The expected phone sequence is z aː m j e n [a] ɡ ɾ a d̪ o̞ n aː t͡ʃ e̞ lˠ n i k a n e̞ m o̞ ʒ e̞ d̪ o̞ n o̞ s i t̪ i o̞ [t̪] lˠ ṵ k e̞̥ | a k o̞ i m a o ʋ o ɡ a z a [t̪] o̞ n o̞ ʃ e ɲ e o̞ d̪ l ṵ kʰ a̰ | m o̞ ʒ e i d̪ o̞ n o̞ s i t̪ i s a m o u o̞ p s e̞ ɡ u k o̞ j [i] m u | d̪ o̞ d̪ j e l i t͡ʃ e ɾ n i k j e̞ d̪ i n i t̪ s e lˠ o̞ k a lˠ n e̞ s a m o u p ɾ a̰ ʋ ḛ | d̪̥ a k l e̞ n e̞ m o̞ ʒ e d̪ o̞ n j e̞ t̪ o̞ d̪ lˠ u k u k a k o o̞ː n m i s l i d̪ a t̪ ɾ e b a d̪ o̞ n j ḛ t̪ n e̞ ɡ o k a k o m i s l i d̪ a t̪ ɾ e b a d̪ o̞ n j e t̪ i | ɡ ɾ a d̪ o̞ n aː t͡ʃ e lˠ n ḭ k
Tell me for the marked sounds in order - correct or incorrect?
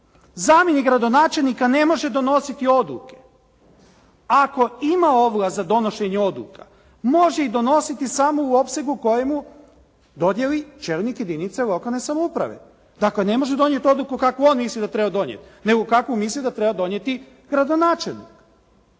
incorrect: i, incorrect: d̪, incorrect: d̪, incorrect: e

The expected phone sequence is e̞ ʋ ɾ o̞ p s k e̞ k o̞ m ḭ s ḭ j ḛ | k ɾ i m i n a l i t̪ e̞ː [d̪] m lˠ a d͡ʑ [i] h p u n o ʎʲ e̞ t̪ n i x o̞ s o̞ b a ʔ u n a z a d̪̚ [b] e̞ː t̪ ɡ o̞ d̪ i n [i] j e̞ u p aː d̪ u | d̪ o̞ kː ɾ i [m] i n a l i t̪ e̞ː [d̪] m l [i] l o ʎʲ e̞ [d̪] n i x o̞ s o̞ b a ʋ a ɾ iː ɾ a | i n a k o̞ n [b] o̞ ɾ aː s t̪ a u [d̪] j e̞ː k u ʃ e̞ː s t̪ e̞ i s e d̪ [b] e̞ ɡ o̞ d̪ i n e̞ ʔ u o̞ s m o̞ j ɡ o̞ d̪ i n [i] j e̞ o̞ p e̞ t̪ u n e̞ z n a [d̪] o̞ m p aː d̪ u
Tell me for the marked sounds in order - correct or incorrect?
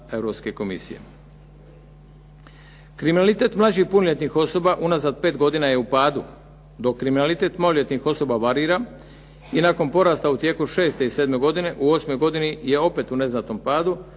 incorrect: t̪, correct, incorrect: p, incorrect: a, correct, incorrect: t̪, incorrect: a, incorrect: t̪, incorrect: p, incorrect: t̪, incorrect: m, correct, incorrect: t̪

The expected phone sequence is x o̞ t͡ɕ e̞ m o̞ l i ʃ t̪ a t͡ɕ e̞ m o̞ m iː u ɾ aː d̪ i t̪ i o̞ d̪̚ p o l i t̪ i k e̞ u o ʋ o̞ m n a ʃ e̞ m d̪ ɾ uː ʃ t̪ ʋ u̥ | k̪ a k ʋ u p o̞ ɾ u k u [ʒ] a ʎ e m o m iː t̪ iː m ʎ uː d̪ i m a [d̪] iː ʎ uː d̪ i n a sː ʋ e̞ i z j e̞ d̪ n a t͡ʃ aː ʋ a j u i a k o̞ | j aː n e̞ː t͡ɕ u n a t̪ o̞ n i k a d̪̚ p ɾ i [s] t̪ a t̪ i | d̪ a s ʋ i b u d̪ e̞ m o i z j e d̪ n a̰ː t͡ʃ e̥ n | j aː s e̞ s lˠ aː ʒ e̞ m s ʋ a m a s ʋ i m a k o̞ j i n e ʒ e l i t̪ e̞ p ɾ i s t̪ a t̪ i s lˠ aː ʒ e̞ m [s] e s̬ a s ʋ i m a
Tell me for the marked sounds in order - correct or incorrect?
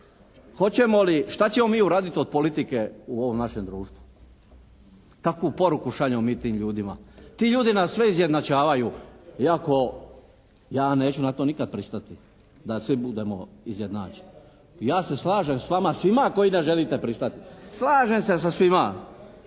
incorrect: ʃ, incorrect: t̪, correct, correct

